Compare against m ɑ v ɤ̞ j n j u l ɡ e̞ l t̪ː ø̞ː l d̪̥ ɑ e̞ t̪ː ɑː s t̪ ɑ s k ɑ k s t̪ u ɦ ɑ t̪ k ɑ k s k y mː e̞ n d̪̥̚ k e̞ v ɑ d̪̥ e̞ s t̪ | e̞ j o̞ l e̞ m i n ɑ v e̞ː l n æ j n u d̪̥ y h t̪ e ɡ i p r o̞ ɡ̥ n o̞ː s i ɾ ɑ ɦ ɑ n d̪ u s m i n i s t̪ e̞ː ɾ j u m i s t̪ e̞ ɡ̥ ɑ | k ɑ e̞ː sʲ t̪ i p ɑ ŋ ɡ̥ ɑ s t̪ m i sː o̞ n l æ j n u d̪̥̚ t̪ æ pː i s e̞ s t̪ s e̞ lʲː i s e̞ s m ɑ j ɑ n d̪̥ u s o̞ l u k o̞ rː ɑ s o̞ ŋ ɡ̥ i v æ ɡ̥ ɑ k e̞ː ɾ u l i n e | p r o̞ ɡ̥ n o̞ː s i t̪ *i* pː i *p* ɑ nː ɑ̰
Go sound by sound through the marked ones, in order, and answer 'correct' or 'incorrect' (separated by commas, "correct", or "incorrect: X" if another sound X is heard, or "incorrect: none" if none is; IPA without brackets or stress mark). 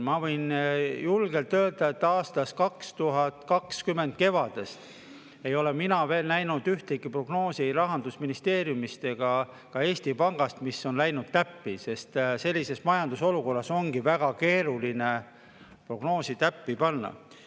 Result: incorrect: æ, correct